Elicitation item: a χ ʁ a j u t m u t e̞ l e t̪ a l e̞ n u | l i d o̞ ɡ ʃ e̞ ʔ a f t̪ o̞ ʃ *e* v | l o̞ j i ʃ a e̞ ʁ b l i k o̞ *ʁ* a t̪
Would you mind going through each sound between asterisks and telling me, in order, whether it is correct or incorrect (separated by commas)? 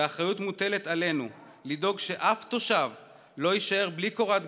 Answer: incorrect, correct